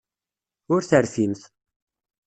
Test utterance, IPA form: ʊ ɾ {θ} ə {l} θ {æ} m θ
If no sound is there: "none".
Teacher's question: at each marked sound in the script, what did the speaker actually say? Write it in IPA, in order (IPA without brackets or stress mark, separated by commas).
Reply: θ, ɾ, i